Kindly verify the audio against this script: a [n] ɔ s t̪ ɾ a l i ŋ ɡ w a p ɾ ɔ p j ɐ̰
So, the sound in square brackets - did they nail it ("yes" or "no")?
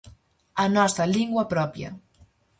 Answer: yes